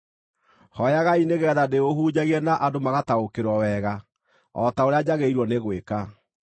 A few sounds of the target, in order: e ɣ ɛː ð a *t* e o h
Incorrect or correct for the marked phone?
incorrect: d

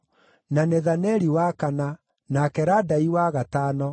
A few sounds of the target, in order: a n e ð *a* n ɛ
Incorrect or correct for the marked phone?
correct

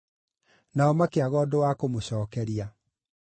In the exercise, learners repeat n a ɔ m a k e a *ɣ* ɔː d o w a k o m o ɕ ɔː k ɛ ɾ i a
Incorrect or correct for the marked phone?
correct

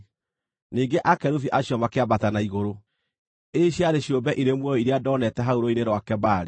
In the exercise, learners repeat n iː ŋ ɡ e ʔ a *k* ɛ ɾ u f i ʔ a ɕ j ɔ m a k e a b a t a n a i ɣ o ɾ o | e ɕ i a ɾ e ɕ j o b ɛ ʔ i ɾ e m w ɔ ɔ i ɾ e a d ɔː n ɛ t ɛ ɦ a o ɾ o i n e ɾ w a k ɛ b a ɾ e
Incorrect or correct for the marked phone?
correct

